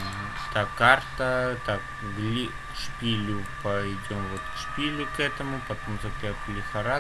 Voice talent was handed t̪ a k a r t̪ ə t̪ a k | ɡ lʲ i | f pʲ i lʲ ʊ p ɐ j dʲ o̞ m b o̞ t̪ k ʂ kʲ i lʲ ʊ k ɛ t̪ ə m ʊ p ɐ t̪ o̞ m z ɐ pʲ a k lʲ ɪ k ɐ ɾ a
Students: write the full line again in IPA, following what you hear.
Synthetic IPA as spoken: t̪ a k a r t̪ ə t̪ a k | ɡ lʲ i | ʂ pʲ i lʲ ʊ p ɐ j dʲ o̞ m v o̞ t̪ k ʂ pʲ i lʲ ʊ k ɛ t̪ ə m ʊ p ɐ t̪ o̞ m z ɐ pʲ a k lʲ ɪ x ɐ ɾ a